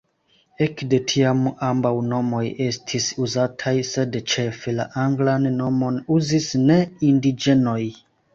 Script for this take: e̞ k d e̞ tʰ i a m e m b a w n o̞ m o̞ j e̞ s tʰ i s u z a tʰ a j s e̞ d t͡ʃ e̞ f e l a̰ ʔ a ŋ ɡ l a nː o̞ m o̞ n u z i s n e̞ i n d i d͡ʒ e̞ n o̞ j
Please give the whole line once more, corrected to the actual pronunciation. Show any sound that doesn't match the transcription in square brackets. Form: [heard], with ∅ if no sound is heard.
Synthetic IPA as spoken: e̞ k d e̞ tʰ i a m [a] m b a w n o̞ m o̞ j e̞ s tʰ i s u z a tʰ a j s e̞ d t͡ʃ e̞ f e l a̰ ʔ a ŋ ɡ l a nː o̞ m o̞ n u z i s n e̞ i n d i d͡ʒ e̞ n o̞ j